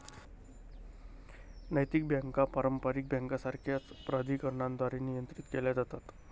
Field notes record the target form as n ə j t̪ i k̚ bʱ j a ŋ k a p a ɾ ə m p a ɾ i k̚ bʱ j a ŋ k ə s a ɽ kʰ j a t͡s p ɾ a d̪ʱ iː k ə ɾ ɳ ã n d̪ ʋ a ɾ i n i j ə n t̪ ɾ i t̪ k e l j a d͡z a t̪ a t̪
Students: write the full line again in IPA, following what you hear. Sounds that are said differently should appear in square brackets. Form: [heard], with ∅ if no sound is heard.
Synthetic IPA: n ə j t̪ i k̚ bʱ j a ŋ k a p a ɾ ə m p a ɾ i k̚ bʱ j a ŋ k [a] s a [ɾ] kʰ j a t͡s p ɾ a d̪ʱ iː k ə ɾ ɳ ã n d̪ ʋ a ɾ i n i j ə n t̪ ɾ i t̪ k e l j a d͡z a t̪ a t̪